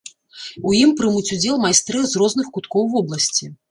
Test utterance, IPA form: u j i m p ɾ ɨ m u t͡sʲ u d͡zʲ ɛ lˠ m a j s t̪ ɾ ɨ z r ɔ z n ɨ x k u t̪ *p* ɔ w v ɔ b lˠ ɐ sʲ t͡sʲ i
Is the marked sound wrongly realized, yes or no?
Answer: yes